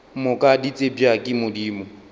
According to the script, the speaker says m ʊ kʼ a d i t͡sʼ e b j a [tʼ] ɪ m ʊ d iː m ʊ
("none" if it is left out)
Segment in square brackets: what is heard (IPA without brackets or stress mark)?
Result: kʼ